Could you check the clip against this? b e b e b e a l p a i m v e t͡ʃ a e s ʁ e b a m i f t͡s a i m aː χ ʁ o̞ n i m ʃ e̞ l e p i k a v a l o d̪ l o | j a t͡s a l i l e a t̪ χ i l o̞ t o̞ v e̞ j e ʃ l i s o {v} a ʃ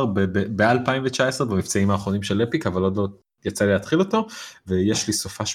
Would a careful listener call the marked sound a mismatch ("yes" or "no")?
yes